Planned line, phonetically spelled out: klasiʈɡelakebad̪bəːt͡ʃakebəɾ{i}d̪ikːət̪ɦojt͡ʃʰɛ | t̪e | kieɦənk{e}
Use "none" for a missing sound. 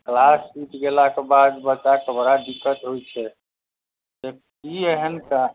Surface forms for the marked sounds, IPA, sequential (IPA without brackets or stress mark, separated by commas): a, a